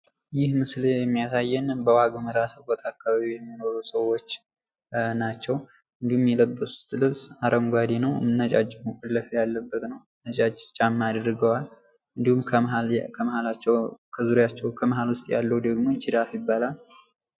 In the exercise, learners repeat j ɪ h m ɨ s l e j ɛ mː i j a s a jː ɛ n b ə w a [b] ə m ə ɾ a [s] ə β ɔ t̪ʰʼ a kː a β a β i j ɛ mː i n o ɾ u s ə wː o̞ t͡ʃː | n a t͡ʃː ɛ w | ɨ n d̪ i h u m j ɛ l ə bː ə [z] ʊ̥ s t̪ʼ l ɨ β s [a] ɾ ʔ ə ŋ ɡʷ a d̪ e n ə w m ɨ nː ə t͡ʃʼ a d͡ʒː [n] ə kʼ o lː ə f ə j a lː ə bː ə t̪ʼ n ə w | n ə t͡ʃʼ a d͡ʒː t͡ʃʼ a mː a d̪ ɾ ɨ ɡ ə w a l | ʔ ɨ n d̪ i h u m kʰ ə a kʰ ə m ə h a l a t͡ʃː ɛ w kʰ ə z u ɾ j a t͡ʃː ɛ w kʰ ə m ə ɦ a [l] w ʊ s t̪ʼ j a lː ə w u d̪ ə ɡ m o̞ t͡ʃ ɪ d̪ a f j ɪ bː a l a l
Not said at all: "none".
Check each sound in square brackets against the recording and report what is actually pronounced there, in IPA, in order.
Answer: ɡ, s, s, a, m, l

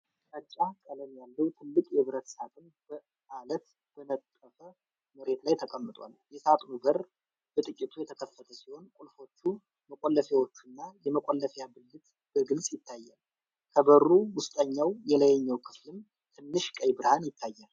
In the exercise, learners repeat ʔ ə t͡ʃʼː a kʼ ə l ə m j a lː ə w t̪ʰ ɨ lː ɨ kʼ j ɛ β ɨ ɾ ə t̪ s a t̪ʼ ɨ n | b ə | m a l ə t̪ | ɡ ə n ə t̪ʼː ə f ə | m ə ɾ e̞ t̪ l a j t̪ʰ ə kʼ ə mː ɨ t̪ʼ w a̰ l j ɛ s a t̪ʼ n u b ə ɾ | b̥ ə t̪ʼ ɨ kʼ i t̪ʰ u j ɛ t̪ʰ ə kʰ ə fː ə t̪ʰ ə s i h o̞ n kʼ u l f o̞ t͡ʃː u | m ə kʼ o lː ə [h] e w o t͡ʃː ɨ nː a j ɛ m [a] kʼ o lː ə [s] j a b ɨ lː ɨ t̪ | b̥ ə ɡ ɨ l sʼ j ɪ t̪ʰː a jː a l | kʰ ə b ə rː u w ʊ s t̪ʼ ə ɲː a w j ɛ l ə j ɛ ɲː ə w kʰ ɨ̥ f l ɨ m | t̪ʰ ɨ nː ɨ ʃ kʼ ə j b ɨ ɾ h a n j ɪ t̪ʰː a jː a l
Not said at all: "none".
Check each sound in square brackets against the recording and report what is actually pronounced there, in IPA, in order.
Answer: f, ə, f

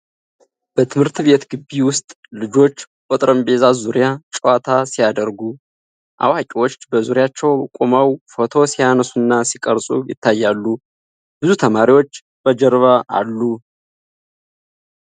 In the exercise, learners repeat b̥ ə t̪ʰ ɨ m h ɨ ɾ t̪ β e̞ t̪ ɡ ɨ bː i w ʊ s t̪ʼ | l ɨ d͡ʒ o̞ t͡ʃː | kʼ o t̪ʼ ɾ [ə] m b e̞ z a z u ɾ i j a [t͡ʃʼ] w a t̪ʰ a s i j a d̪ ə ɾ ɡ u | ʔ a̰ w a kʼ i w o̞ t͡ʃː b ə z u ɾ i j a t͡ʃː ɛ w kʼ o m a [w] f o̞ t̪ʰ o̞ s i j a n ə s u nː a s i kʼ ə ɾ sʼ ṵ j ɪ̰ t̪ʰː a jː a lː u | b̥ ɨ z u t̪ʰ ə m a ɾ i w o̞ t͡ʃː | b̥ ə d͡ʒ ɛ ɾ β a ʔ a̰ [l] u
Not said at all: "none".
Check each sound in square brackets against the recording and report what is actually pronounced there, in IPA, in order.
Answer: ə, t͡ʃʼ, w, lː

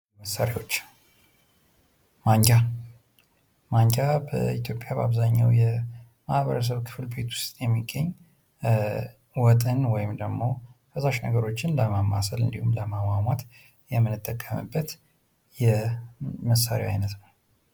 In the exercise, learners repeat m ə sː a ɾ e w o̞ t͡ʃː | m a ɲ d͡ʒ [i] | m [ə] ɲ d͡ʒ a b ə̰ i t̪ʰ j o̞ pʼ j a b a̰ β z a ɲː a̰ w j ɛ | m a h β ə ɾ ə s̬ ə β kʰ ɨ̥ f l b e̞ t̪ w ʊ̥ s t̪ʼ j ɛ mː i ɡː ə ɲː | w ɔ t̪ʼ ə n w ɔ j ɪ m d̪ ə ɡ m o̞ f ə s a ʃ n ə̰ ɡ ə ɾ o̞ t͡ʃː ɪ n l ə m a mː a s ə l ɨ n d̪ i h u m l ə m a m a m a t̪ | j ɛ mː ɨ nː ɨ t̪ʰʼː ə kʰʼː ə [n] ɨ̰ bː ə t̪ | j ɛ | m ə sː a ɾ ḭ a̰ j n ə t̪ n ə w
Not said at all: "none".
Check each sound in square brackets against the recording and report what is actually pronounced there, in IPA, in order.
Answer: a, a, m

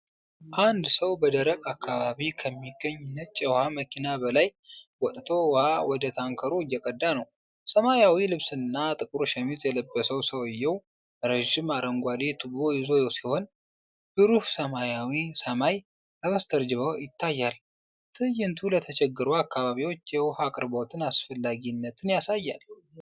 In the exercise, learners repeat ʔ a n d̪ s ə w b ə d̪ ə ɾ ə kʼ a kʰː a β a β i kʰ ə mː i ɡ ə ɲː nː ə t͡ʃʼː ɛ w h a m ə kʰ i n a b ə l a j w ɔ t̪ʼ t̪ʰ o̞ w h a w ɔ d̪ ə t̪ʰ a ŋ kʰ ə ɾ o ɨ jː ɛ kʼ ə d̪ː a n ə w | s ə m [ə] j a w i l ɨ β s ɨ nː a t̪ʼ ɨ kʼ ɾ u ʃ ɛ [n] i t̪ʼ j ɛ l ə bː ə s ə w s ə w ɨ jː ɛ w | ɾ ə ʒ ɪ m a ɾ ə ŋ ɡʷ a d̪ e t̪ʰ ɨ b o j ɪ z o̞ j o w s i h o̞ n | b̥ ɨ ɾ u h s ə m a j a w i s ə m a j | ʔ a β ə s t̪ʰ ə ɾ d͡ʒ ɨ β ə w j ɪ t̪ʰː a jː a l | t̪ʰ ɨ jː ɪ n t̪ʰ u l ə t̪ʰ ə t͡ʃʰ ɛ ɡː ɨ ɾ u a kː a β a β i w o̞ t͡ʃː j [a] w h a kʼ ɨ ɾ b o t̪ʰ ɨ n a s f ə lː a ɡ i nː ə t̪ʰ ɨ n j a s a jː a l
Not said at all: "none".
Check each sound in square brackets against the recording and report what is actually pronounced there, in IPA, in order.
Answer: a, m, ɛ

